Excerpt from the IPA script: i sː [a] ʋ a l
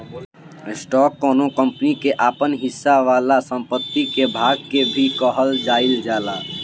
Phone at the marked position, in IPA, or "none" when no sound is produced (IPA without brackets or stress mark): a